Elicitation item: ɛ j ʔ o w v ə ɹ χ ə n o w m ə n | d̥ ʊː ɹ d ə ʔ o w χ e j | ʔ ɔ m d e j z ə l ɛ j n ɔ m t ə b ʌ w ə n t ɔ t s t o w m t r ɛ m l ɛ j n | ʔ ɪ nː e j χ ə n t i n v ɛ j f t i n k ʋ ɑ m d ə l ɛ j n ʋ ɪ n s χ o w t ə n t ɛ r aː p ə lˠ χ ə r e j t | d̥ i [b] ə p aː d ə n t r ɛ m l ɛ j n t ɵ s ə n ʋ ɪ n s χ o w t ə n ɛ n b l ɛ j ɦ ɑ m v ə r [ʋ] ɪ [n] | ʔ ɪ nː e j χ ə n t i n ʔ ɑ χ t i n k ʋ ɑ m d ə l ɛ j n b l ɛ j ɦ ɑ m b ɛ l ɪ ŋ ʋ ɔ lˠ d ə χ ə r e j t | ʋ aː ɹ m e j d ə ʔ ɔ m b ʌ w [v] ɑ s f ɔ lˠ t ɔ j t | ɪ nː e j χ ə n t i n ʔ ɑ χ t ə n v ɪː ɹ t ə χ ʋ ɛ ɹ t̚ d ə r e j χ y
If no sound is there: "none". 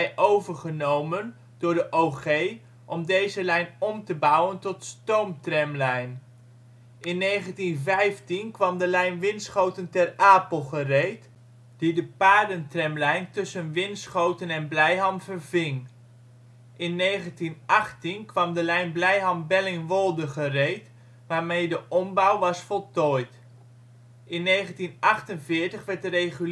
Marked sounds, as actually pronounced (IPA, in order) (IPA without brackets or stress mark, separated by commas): d, v, ŋ, ʋ